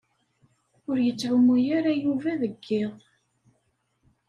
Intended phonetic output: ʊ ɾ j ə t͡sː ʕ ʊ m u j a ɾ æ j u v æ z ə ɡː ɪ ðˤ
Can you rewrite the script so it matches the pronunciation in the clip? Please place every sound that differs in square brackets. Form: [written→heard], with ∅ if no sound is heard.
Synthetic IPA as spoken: ʊ ɾ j ə t͡sː ʕ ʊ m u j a ɾ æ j u v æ [z→ð] ə ɡː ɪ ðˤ

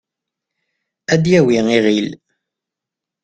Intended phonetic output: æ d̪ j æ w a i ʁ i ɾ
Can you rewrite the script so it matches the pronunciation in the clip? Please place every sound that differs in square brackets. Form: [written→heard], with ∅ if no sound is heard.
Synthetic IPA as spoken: æ d̪ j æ w [a→i] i ʁ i [ɾ→l]

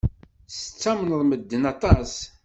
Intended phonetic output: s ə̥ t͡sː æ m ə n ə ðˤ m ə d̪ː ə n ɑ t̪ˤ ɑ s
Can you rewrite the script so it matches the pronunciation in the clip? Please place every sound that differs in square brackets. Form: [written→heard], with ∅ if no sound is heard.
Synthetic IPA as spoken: s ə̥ t͡sː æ m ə n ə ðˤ m ə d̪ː ə n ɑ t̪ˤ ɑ s

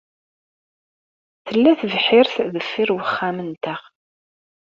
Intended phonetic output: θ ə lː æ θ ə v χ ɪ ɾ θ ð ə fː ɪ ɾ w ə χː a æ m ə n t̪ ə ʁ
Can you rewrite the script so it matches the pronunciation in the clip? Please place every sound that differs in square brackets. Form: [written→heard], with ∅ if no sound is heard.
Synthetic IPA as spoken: θ ə lː æ θ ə v [χ→ħ] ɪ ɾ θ ð ə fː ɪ ɾ w ə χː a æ m ə n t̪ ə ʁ

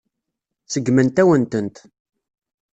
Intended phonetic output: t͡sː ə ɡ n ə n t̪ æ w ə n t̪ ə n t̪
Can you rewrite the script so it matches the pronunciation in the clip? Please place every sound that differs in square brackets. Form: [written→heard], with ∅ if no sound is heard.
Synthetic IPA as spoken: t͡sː ə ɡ [n→m] ə n t̪ æ w ə n t̪ ə n t̪

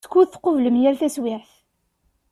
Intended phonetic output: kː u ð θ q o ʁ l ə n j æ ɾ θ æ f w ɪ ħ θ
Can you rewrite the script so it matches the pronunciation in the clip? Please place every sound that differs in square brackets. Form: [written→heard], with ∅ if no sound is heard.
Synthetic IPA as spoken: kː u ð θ q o [ʁ→v] l ə [n→m] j æ [ɾ→l] θ æ [f→s] w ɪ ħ θ

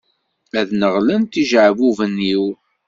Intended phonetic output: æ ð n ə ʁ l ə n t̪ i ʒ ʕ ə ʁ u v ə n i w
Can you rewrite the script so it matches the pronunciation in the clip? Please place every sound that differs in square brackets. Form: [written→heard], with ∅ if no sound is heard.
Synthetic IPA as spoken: æ ð n ə ʁ l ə n t̪ i ʒ ʕ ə [ʁ→v] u v ə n i w

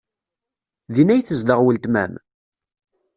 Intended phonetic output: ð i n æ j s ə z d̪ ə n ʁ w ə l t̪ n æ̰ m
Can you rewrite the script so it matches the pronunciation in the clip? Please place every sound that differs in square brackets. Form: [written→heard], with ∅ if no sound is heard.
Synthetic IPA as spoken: ð i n æ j [s→θ] ə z d̪ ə [n→∅] ʁ w ə l t̪ [n→m] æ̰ m

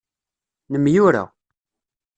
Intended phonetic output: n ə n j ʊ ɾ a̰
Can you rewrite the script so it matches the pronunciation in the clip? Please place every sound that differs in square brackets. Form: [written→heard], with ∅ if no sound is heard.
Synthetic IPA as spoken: n ə [n→m] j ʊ ɾ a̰

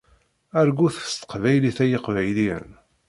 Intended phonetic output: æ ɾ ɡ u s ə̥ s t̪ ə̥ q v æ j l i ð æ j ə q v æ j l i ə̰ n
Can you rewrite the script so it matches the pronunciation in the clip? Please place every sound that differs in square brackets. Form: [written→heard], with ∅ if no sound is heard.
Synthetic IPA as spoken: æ ɾ ɡ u [s→θ] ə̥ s t̪ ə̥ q v æ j l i [ð→θ] æ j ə q v æ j l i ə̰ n

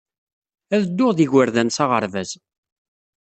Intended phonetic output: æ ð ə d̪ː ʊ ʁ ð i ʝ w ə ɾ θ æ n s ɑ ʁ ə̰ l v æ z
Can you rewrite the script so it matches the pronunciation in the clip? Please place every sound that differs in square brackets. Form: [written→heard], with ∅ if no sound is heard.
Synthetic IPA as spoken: æ ð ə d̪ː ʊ ʁ ð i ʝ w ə ɾ [θ→ð] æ n s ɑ ʁ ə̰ [l→ɾ] v æ z

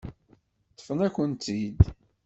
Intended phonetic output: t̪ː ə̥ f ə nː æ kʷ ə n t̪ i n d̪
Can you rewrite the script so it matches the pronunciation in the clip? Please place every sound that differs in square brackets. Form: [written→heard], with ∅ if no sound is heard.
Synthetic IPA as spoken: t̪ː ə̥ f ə [nː→n] æ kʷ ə n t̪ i [n→∅] d̪

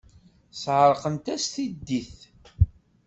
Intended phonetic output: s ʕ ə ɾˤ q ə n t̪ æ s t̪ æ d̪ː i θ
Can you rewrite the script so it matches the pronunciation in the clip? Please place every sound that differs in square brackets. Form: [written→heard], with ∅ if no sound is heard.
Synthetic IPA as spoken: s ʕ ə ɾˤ q ə n t̪ æ s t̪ [æ→i] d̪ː i θ

